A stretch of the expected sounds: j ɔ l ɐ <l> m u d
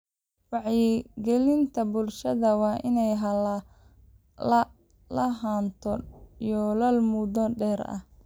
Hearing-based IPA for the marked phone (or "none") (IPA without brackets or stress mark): l